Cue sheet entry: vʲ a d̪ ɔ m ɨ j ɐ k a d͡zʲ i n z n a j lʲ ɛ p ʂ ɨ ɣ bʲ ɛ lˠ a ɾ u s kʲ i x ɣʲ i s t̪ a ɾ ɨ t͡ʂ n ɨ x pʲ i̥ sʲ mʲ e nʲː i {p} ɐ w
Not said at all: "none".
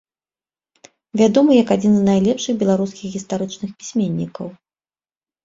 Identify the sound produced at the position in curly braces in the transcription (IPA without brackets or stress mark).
k